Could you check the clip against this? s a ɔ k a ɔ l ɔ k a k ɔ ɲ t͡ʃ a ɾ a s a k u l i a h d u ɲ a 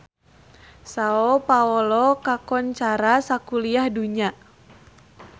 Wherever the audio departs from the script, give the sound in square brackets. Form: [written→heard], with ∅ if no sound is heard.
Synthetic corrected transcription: s a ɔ [k→p] a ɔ l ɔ k a k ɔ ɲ t͡ʃ a ɾ a s a k u l i a h d u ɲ a